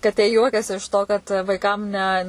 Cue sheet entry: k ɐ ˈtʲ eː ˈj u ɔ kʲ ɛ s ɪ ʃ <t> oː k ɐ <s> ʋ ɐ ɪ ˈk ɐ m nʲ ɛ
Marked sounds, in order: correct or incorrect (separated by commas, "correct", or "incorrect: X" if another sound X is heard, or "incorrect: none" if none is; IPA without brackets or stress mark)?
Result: correct, incorrect: t